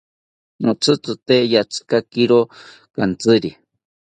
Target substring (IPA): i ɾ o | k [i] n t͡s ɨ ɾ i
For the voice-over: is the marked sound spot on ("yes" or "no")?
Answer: no